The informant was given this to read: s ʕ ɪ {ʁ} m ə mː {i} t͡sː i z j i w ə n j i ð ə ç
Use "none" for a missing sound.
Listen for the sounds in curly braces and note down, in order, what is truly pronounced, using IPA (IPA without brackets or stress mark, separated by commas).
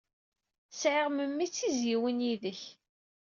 ʁ, i